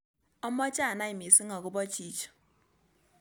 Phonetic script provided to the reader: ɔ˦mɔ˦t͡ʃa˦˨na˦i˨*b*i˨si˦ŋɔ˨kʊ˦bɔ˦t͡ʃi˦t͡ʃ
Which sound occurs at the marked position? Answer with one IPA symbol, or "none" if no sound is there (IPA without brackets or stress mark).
m